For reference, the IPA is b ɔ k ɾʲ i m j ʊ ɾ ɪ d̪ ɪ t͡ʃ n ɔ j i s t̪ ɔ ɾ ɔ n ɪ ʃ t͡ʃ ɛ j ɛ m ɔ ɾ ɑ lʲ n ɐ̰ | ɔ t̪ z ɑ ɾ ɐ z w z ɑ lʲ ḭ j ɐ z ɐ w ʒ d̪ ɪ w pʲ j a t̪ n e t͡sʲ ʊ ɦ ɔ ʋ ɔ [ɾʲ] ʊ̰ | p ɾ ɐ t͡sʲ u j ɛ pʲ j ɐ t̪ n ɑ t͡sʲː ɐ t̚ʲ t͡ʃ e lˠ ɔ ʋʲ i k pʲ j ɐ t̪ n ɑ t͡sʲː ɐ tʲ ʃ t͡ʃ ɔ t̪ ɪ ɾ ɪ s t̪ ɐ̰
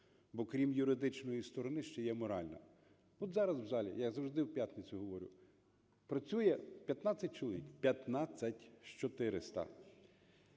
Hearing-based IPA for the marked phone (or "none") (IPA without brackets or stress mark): ɾʲ